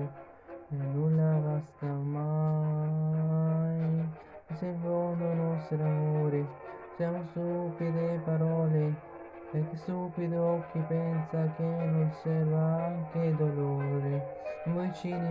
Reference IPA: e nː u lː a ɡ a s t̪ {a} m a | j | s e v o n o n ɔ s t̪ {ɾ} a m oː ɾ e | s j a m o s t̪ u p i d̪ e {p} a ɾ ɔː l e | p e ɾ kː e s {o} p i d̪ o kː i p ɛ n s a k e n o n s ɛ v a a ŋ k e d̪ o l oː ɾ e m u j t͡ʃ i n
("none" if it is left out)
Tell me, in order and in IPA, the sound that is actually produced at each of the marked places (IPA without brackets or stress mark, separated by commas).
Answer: a, ɾ, p, u